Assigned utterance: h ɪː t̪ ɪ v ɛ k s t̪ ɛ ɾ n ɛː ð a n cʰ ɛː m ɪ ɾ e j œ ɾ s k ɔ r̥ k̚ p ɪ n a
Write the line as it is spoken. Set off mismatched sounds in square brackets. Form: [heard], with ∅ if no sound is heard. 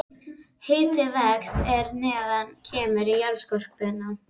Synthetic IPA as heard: h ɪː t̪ ɪ v ɛ k s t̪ ɛ ɾ n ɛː ð a n cʰ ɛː m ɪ ɾ [i] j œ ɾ s k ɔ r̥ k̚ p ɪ n a